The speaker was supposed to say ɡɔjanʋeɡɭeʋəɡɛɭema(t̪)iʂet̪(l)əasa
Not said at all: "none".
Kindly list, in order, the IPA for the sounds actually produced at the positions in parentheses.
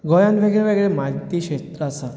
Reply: t̪, ɾ

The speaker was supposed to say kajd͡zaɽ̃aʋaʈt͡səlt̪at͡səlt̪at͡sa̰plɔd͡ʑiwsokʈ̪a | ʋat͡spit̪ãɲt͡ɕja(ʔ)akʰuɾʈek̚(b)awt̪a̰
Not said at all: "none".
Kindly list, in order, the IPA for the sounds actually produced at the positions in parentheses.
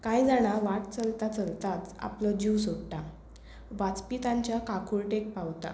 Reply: k, p

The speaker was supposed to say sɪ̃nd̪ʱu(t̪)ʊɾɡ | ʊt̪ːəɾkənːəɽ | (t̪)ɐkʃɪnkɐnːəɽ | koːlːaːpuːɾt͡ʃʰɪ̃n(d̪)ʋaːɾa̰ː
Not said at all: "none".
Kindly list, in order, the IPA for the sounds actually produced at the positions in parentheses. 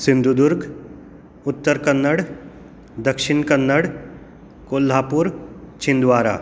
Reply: d̪, d̪, d̪

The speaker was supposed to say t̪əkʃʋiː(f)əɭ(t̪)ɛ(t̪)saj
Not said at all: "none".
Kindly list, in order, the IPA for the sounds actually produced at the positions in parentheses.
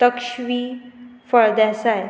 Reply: f, d̪, none

